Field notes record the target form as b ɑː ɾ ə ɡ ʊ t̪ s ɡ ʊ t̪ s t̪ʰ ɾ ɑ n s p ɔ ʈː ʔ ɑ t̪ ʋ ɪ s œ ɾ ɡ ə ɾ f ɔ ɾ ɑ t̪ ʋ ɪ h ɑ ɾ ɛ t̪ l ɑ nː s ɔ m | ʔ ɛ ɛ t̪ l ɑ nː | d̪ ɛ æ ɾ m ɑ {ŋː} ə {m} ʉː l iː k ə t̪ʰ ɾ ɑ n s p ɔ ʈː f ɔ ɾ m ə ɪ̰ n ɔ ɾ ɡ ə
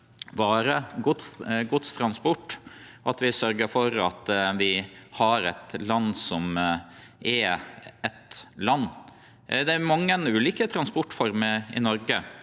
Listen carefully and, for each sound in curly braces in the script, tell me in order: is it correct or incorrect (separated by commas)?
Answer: correct, incorrect